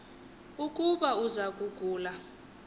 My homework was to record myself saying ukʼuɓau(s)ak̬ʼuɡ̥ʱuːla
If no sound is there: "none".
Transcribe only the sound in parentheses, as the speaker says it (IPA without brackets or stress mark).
z